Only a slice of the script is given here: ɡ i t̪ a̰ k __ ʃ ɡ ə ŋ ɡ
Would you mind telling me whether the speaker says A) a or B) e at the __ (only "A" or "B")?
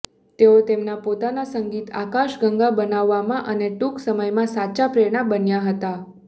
A